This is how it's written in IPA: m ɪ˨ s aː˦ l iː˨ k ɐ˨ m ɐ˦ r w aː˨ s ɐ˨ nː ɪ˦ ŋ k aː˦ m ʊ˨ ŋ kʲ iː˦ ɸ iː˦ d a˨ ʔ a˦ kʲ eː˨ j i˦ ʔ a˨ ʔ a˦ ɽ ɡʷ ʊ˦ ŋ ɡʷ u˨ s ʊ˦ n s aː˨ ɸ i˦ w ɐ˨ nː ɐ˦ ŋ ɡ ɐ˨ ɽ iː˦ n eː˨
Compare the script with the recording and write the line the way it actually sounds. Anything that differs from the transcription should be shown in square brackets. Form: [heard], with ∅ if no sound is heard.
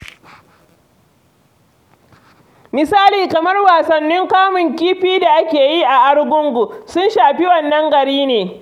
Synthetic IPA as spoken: m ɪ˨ s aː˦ l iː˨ k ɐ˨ m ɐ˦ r w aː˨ s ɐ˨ nː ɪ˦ ŋ k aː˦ m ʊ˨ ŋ kʲ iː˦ ɸ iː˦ d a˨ ʔ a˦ kʲ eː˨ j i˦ ʔ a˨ ʔ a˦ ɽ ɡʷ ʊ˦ ŋ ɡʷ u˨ s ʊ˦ n [ʃ] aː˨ ɸ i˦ w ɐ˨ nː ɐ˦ ŋ ɡ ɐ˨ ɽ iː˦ n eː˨